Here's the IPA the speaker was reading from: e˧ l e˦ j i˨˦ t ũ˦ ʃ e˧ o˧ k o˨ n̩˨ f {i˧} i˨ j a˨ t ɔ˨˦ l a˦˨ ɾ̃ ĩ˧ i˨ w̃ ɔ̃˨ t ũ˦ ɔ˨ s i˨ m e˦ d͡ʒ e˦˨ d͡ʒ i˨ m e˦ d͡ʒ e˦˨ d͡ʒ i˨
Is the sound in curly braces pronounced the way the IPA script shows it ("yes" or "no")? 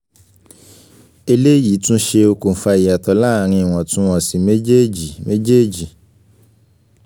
no